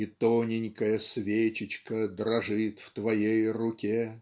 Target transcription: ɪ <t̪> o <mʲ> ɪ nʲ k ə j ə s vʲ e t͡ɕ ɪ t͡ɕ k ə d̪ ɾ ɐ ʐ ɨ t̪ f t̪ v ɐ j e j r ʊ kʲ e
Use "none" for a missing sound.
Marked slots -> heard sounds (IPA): t̪, nʲ

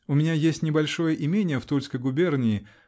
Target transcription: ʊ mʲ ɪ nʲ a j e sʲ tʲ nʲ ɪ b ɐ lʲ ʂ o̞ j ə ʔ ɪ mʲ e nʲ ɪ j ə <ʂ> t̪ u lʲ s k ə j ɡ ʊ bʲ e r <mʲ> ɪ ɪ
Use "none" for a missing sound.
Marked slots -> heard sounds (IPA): f, nʲ

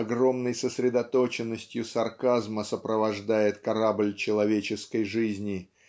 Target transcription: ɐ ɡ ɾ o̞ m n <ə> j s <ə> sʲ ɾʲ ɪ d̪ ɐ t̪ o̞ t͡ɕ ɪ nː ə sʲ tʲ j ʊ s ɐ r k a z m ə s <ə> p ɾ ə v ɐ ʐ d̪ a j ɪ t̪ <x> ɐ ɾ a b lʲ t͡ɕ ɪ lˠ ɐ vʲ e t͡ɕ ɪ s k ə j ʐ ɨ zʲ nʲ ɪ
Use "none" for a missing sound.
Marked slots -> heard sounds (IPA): ə, ə, ə, k

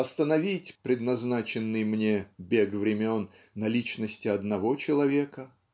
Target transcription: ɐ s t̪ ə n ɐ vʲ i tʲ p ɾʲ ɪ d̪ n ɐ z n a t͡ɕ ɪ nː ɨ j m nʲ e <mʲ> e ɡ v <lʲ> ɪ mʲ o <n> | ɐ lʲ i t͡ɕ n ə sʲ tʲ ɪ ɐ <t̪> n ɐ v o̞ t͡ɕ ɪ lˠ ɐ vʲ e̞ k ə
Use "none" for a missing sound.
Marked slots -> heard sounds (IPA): bʲ, ɾʲ, nː, d̪

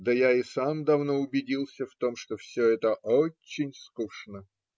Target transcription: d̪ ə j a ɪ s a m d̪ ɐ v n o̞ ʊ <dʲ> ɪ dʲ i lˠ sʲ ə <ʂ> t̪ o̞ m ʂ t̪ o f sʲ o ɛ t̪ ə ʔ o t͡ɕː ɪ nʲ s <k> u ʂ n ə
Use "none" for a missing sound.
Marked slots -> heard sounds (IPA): bʲ, f, k

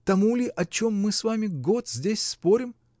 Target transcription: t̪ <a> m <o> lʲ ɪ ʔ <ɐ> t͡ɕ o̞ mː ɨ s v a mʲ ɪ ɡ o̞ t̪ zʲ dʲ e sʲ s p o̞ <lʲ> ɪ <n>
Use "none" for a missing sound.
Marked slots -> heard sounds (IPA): ɐ, u, ɐ, ɾʲ, m

